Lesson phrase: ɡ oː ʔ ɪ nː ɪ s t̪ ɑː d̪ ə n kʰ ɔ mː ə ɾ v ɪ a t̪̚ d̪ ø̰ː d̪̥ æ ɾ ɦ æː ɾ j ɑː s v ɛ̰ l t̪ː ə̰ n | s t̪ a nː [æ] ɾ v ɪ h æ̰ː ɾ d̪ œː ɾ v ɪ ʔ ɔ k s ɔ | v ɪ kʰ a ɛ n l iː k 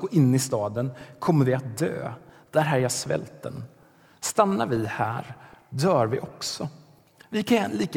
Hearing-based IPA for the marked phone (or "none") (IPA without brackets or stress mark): a